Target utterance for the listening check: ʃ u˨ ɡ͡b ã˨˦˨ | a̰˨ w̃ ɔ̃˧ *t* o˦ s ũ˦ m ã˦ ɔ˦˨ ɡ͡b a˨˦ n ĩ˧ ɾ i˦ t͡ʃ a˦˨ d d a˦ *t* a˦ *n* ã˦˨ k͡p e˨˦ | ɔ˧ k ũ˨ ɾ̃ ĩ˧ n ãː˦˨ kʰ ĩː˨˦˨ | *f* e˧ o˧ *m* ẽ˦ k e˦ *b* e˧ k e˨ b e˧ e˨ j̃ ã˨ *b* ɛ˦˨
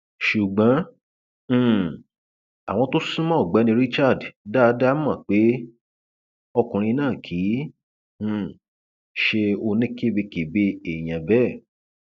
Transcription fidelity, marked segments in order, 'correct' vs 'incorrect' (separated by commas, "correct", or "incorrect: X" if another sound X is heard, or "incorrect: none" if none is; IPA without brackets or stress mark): correct, incorrect: d, incorrect: m, incorrect: ʃ, incorrect: n, correct, correct